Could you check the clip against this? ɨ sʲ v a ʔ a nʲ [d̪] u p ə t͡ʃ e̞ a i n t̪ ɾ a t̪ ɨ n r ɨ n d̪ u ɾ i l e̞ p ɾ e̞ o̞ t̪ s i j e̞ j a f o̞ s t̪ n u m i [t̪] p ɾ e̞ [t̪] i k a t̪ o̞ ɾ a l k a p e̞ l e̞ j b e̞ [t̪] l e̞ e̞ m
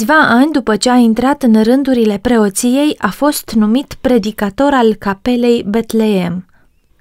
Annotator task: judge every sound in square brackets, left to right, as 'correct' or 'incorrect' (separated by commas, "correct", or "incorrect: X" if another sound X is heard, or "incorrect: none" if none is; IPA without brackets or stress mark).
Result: correct, correct, incorrect: d̪, correct